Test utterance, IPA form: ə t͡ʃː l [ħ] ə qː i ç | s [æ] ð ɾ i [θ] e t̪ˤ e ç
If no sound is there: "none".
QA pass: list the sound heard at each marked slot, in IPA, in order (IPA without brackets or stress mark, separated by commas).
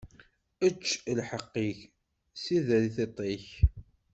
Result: ħ, i, θ